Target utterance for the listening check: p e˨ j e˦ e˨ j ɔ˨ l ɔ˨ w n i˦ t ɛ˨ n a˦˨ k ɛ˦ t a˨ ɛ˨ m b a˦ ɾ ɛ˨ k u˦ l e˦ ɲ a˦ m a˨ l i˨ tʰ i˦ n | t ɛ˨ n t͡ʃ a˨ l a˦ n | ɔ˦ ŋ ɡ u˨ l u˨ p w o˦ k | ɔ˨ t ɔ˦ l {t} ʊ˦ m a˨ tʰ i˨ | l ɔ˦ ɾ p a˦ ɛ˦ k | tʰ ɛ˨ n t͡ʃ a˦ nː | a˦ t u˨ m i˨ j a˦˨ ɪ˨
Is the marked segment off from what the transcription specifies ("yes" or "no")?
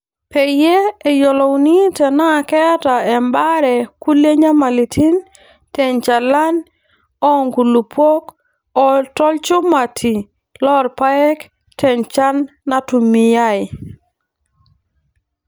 yes